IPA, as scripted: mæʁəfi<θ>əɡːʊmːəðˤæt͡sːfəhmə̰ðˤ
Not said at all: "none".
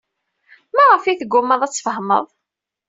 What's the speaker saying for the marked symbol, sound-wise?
θ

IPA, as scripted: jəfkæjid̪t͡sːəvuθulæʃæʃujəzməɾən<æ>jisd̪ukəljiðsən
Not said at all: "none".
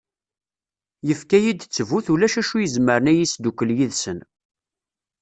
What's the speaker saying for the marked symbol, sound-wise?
æ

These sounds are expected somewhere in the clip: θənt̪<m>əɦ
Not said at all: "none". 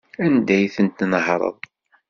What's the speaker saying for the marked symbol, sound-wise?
n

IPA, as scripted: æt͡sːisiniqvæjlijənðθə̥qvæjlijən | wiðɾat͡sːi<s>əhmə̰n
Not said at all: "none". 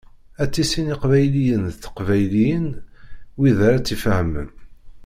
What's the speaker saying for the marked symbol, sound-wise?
f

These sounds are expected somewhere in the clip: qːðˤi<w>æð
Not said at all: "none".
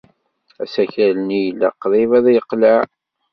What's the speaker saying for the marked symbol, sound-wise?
v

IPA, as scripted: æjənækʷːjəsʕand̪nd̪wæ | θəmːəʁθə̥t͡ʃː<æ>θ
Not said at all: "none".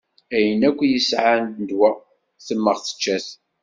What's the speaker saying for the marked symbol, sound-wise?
æ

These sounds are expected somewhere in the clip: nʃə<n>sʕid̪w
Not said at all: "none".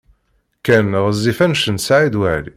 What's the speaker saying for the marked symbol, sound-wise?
n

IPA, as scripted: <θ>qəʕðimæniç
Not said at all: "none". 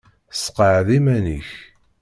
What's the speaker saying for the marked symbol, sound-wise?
s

